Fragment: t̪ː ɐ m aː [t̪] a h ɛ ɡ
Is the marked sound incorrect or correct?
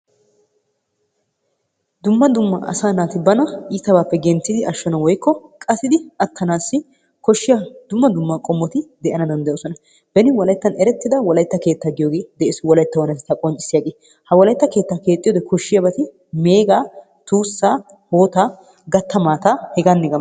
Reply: correct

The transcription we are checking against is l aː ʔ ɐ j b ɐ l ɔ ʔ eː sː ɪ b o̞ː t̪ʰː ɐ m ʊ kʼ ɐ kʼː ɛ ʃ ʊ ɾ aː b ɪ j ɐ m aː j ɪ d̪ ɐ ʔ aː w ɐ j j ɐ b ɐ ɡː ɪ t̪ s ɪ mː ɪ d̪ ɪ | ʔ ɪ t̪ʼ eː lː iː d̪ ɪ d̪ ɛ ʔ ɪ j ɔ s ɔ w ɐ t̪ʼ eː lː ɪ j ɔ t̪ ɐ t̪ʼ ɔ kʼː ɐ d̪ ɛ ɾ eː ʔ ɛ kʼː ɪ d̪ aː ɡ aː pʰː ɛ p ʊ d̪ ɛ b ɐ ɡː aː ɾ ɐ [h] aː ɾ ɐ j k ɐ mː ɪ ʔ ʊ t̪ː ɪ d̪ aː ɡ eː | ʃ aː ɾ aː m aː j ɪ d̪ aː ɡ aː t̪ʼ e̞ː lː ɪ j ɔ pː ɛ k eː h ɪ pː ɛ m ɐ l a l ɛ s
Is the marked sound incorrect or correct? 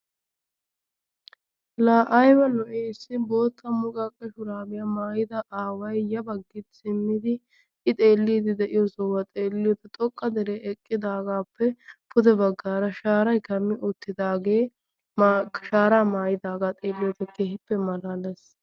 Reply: incorrect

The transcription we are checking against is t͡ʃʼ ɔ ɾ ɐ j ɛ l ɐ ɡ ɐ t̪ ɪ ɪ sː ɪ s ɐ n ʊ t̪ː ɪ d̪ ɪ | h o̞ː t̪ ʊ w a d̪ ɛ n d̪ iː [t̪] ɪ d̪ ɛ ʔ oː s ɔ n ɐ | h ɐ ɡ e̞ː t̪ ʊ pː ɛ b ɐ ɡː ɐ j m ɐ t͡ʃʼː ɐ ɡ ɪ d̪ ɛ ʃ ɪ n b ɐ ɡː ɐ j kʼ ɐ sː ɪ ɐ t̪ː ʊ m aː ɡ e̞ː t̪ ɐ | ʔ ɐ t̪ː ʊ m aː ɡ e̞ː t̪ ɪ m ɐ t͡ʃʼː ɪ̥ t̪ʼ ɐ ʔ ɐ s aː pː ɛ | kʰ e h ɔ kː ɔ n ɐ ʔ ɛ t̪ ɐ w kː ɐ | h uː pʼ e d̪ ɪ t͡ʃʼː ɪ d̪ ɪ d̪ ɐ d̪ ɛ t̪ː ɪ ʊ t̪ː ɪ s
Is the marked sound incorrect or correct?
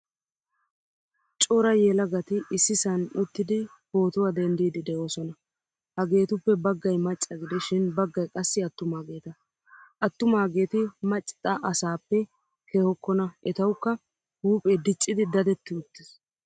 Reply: incorrect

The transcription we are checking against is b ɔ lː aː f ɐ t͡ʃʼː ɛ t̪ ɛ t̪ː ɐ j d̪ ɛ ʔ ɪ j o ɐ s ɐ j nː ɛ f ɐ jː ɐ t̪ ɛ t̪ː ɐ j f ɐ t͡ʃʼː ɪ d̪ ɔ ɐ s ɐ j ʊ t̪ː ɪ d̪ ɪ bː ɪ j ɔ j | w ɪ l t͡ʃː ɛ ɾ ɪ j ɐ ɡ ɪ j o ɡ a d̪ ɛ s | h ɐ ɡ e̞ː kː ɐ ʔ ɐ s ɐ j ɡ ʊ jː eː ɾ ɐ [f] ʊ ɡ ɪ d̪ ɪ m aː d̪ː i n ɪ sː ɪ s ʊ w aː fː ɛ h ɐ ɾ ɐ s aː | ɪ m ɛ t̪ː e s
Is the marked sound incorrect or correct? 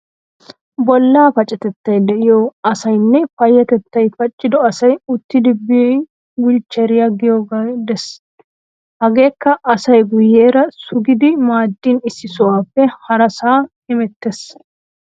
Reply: incorrect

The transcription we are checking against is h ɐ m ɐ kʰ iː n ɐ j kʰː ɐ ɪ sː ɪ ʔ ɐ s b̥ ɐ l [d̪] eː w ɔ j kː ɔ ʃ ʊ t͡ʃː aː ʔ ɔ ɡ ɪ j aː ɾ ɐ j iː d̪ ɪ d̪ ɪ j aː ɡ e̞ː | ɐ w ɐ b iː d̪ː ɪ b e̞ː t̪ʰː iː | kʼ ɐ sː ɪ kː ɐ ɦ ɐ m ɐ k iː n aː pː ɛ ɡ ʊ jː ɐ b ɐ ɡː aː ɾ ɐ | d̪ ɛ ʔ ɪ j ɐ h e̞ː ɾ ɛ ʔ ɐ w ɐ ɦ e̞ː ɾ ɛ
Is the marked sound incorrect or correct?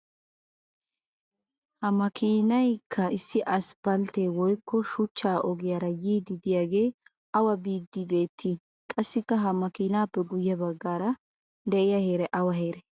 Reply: incorrect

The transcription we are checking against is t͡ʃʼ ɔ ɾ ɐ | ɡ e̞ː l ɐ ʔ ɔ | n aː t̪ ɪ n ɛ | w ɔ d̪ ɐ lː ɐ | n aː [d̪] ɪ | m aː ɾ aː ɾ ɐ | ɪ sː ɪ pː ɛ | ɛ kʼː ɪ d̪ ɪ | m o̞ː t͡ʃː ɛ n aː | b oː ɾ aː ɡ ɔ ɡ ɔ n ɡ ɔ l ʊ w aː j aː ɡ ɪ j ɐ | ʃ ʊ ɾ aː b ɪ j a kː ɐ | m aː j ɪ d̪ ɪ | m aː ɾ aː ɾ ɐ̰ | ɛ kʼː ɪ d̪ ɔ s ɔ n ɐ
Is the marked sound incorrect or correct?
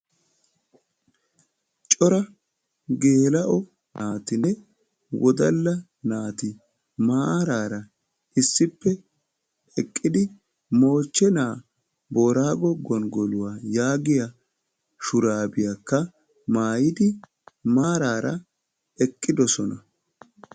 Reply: incorrect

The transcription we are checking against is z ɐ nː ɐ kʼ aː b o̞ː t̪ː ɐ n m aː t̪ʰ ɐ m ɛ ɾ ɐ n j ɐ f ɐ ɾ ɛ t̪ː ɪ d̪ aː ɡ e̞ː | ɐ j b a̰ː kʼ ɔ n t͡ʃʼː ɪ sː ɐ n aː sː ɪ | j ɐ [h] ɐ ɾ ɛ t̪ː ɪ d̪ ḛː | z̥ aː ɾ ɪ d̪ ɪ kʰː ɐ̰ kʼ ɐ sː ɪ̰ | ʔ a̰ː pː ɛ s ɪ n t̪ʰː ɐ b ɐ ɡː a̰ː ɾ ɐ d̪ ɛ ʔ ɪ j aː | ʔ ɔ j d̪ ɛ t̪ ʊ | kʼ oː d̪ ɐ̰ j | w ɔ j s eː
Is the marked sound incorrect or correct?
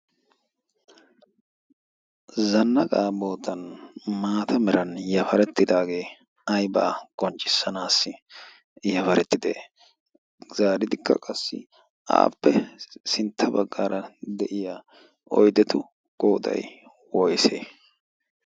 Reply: incorrect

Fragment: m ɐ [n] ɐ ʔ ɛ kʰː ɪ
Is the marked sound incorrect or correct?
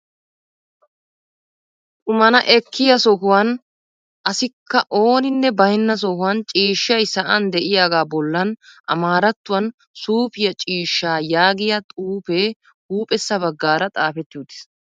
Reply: correct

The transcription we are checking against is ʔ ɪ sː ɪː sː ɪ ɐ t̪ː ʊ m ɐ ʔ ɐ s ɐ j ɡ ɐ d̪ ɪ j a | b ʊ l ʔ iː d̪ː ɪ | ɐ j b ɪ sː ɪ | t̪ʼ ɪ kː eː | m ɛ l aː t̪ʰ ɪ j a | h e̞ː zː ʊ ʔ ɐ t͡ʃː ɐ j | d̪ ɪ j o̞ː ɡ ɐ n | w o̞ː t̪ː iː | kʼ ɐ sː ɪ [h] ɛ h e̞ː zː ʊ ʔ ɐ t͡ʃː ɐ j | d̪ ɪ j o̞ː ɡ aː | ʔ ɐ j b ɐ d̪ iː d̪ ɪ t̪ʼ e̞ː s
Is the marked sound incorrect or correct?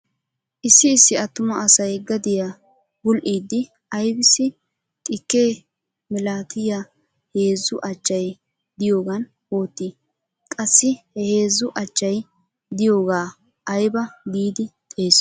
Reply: correct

